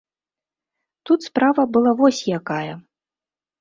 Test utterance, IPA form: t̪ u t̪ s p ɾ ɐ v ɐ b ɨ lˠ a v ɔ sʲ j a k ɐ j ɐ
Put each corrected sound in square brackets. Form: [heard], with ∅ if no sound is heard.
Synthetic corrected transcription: t̪ u t̪ s p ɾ [a] v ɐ b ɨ lˠ a v ɔ sʲ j a k [a] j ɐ

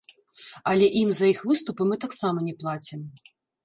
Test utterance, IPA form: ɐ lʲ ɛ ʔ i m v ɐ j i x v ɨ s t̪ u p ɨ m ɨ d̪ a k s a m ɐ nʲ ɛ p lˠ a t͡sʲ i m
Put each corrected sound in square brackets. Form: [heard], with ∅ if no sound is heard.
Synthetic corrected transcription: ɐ lʲ ɛ ʔ i m [z] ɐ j i x v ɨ s t̪ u p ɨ m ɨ [t̪] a k s a m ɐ nʲ ɛ p lˠ a t͡sʲ i m

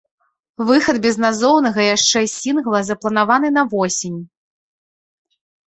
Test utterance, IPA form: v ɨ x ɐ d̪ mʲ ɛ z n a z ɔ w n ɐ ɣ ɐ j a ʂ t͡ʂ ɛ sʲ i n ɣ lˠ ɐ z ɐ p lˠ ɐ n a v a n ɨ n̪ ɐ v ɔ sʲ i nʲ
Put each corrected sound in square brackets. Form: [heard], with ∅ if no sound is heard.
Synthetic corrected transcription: v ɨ x ɐ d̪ [bʲ] ɛ z n a z ɔ w n ɐ ɣ ɐ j a ʂ t͡ʂ ɛ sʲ i n ɣ lˠ ɐ z ɐ p lˠ ɐ n a v a n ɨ n̪ ɐ v ɔ sʲ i nʲ

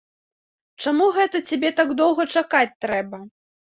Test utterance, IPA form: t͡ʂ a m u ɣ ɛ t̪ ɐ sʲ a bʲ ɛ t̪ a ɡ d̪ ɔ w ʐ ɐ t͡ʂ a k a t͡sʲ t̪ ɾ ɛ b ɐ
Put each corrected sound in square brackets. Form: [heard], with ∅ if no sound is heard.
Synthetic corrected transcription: t͡ʂ a m u ɣ ɛ t̪ ɐ [t͡sʲ] a bʲ ɛ t̪ a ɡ d̪ ɔ w [ɣ] ɐ t͡ʂ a k a t͡sʲ t̪ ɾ ɛ b ɐ

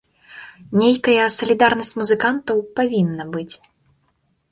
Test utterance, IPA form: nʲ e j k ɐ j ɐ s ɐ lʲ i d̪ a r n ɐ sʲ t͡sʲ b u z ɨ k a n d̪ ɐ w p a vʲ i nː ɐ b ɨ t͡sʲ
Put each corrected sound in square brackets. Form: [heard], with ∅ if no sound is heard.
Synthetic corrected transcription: nʲ e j k ɐ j ɐ s ɐ lʲ i d̪ a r n ɐ sʲ t͡sʲ [m] u z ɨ k a n [t̪] ɐ w p a vʲ i nː ɐ b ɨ t͡sʲ

